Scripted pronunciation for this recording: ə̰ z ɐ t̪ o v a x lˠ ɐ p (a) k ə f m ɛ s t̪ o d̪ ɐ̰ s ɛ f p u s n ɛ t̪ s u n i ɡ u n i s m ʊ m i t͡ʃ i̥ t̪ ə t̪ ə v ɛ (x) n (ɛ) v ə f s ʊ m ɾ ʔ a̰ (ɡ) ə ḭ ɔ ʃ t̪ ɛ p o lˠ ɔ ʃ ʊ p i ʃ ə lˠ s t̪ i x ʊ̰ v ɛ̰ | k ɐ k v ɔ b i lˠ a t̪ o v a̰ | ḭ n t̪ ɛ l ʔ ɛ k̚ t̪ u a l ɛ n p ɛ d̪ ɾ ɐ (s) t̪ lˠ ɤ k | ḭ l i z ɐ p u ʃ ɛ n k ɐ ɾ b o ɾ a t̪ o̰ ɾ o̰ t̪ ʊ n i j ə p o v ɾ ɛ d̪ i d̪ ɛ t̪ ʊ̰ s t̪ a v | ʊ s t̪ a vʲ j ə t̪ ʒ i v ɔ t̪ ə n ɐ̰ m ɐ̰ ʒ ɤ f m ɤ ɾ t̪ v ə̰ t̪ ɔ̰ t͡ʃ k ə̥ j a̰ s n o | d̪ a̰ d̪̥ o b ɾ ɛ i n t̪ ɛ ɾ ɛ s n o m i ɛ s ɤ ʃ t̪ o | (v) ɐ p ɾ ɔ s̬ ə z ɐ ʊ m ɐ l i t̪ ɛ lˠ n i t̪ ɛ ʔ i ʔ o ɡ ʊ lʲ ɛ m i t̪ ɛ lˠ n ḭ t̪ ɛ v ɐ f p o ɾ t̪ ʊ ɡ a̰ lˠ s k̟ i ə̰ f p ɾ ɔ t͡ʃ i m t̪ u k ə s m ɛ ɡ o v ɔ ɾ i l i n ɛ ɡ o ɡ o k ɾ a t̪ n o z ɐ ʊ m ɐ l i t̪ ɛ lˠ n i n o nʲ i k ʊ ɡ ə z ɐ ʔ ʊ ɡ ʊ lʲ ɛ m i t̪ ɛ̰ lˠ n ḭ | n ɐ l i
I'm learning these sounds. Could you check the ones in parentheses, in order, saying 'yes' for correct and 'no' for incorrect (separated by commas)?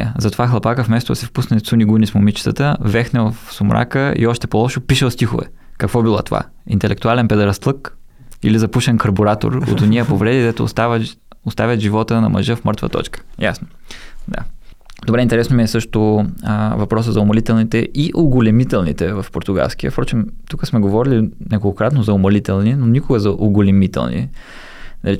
yes, yes, yes, no, yes, yes